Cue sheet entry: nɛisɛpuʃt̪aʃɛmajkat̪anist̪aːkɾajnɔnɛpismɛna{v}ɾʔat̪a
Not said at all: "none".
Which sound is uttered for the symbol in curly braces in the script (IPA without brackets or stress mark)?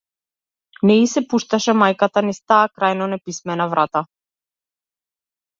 v